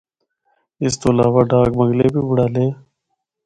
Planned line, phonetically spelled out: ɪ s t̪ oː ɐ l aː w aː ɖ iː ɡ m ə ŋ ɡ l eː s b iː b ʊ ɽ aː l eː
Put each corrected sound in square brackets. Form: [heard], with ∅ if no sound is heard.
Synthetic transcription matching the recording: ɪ s t̪ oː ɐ l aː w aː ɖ [aː] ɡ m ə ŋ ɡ l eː [∅] b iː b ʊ ɽ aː l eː